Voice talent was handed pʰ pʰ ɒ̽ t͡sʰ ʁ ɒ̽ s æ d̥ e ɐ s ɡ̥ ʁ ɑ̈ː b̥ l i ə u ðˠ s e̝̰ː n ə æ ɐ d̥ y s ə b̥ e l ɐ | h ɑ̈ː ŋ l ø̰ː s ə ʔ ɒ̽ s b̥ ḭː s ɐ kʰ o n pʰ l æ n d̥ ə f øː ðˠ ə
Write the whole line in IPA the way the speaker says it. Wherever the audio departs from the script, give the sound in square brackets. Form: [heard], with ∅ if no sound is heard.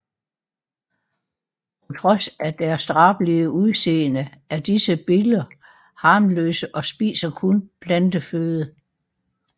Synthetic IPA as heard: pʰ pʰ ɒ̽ t͡sʰ ʁ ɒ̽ s æ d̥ [æ] ɐ s [d̥] ʁ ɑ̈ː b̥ l i ə u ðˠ s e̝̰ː n ə æ ɐ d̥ [i] s ə b̥ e l ɐ | h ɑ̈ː [m] l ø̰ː s ə ʔ ɒ̽ s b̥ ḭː s ɐ kʰ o n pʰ l æ n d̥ ə f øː ðˠ ə